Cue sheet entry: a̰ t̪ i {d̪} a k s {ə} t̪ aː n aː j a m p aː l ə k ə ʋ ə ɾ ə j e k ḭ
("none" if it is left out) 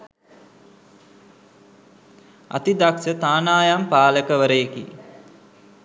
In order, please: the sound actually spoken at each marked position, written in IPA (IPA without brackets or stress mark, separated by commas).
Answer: d̪, ə